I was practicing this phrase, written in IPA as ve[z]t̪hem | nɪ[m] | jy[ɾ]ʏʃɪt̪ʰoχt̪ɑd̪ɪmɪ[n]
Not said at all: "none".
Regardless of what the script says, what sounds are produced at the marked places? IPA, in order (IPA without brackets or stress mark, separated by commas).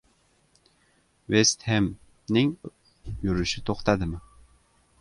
s, ŋ, ɾ, none